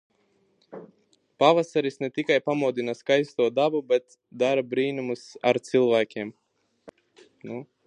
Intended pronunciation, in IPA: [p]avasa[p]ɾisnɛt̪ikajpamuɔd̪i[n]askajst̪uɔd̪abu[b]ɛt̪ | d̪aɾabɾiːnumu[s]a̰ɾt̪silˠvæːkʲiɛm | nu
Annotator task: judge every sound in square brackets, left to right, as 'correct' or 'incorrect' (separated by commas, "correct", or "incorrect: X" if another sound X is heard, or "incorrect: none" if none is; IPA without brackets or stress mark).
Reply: correct, incorrect: none, correct, correct, correct